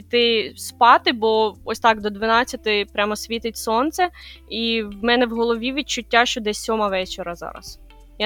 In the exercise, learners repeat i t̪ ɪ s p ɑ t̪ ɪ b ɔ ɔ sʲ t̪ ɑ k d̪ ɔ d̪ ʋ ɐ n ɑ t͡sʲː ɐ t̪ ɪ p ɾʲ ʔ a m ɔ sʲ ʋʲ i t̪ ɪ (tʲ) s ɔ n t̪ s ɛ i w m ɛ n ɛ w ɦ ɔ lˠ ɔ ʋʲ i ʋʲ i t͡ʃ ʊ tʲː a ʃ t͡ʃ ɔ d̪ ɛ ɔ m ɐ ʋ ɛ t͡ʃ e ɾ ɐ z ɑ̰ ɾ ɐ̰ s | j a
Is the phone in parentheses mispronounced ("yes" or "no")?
no